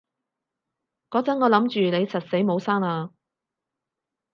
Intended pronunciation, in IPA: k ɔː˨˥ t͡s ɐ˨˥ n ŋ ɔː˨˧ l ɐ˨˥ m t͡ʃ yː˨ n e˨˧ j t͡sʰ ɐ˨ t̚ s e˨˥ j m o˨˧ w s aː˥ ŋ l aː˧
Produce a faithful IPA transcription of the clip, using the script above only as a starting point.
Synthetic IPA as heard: k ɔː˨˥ t͡s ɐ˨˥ n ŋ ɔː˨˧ l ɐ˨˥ m t͡ʃ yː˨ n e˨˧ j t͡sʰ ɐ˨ t̚ s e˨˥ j m o˨˧ w s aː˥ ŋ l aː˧